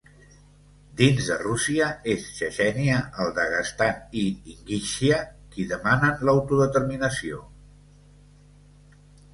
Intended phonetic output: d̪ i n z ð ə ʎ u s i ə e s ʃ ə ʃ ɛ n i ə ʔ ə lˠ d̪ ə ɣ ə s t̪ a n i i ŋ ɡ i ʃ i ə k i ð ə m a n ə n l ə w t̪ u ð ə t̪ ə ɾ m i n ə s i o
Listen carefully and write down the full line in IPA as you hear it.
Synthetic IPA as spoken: d̪ i n z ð ə r u s i ə e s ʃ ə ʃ ɛ n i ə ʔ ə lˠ d̪ ə ɣ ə s t̪ a n i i ŋ ɡ i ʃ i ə k i ð ə m a n ə n l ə w t̪ u ð ə t̪ ə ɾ m i n ə s i o